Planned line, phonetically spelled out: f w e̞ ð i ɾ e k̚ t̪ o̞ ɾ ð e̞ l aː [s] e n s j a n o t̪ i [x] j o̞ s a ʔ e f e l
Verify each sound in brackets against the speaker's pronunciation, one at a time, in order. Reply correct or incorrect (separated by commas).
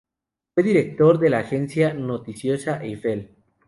incorrect, incorrect